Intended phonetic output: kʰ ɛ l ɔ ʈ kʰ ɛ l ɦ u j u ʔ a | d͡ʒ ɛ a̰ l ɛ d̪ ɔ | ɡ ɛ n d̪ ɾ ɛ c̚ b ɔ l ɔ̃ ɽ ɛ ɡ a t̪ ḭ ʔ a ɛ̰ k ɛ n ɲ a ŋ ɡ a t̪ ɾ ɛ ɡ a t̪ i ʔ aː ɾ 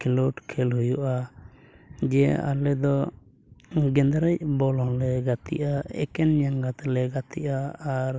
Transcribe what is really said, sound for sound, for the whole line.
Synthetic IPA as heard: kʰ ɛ l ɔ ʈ kʰ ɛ l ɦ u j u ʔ a | d͡ʒ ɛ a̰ l ɛ d̪ ɔ | ɡ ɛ n d̪ ɾ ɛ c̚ b ɔ l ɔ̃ l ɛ ɡ a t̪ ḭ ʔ a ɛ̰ k ɛ n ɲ a ŋ ɡ a t̪ l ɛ ɡ a t̪ i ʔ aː ɾ